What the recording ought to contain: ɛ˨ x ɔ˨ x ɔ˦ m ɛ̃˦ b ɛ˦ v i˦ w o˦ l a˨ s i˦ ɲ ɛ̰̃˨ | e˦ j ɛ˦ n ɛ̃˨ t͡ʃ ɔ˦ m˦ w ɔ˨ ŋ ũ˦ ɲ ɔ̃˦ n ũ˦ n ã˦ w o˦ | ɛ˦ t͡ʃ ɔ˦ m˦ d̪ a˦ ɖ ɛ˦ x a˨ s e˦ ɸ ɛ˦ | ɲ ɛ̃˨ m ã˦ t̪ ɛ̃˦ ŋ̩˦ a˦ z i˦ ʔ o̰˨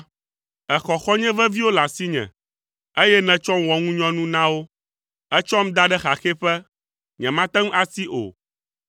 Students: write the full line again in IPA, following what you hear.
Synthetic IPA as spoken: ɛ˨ x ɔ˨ x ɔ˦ ɲ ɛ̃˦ v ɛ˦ v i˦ w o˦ l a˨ s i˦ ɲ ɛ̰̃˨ | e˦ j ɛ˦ n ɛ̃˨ t͡ʃ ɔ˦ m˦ w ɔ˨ ŋ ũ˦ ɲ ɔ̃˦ n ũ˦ n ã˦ w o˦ | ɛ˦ t͡ʃ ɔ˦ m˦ d̪ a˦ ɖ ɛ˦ x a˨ x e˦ ɸ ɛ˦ | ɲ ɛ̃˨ m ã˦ t̪ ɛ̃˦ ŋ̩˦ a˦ s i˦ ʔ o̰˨